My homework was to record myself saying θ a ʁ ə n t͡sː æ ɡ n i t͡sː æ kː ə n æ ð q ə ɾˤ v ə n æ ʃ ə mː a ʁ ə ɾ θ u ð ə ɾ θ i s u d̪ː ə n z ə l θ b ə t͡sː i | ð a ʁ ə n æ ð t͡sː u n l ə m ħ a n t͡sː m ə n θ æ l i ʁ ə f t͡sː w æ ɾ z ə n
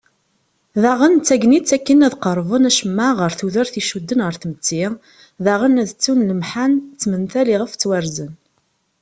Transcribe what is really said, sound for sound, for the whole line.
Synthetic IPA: ð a ʁ ə n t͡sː æ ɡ n i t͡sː æ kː ə n æ ð q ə ɾˤ v ə n æ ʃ ə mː a ʁ ə ɾ θ u ð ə ɾ θ i ʃ u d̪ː ə n ʁ ə ɾ θ m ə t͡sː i | ð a ʁ ə n æ ð t͡sː u n l ə m ħ a n t͡sː m ə n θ æ l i ʁ ə f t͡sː w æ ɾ z ə n